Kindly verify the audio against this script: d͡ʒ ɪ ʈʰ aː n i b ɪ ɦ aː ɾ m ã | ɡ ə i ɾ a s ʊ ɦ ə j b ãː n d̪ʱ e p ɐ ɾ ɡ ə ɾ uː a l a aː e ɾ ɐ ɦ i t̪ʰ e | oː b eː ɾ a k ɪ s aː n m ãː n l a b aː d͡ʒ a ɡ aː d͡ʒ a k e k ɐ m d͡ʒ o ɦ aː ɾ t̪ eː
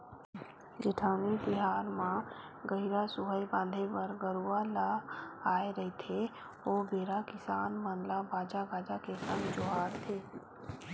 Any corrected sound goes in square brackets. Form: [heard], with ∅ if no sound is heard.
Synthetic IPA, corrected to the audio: d͡ʒ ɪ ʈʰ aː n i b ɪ ɦ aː ɾ m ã | ɡ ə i ɾ a s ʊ ɦ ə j b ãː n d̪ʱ e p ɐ ɾ ɡ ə ɾ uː a l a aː e ɾ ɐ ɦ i t̪ʰ e | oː b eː ɾ a k ɪ s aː n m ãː n l a b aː d͡ʒ a ɡ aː d͡ʒ a k e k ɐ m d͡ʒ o ɦ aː ɾ [t̪ʰ] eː